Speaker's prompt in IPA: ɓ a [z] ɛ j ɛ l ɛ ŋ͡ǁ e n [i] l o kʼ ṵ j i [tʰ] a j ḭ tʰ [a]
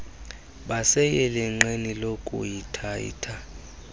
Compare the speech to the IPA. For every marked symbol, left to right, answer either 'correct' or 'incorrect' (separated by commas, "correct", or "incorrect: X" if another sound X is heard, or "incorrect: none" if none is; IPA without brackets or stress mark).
incorrect: s, correct, correct, correct